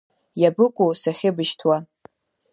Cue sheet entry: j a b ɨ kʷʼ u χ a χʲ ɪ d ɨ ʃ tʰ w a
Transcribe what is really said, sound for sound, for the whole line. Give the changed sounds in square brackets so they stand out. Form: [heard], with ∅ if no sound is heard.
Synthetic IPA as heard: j a b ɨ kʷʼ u [s] a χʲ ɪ [b] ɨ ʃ tʰ w a